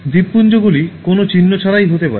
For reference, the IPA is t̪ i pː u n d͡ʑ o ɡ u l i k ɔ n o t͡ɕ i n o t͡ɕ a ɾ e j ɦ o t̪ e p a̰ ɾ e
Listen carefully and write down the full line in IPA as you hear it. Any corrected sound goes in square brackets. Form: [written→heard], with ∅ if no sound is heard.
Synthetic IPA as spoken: [t̪→d̪] i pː u n d͡ʑ o ɡ u l i k [ɔ→o] n o t͡ɕ i [n→nː] o [t͡ɕ→t͡ɕʰ] a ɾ [e→a] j ɦ o t̪ e p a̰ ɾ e